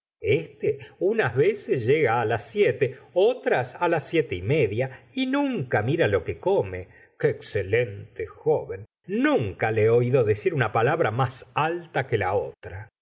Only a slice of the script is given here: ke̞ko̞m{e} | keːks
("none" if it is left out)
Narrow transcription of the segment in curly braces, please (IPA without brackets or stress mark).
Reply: e